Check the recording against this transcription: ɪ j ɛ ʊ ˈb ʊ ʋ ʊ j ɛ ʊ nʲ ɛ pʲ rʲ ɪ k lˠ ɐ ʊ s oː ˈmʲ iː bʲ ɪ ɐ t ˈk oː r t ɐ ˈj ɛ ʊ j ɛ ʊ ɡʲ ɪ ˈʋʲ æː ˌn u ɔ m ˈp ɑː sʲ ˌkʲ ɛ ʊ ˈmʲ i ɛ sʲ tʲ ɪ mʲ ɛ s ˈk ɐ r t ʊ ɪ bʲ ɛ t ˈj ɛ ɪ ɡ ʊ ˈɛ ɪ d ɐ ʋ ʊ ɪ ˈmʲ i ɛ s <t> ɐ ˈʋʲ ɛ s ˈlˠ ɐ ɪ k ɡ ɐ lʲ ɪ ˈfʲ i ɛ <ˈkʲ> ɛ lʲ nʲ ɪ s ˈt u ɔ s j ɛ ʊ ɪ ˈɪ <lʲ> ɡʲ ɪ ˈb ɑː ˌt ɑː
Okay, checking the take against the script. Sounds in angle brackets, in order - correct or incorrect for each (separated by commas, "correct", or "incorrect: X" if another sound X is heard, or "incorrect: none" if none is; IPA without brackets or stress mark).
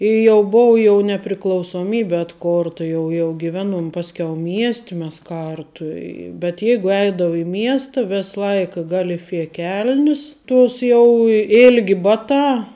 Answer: correct, correct, correct